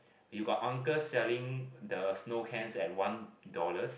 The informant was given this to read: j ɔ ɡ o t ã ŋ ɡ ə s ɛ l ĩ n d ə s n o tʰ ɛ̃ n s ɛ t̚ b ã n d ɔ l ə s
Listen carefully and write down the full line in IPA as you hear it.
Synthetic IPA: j u ɡ ɔ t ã ŋ k ə s ɛ l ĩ ŋ d ə s n o kʰ ɛ̃ n s ɛ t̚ w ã n d ɔ l ə s